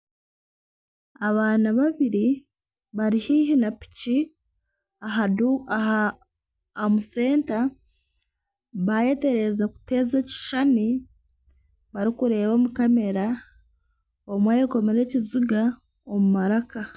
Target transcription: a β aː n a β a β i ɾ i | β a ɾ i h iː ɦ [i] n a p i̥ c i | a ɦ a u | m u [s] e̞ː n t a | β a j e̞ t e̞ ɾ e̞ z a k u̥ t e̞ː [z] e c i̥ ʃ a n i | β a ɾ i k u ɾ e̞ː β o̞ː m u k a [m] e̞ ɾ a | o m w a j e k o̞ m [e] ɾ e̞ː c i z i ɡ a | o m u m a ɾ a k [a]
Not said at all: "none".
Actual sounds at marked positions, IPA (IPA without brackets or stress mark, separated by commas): i, s, z, m, e, a